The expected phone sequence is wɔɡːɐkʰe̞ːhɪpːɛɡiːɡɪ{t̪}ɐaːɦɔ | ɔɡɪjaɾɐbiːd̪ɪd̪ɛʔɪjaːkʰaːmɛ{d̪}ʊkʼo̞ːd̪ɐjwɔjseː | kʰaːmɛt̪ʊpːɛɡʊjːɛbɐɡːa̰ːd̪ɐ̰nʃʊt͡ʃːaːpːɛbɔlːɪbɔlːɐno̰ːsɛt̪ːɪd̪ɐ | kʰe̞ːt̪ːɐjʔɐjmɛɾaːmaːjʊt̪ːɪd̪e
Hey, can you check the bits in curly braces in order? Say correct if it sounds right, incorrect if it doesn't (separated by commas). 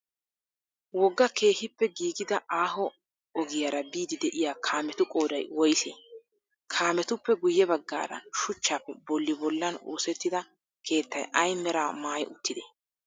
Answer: incorrect, incorrect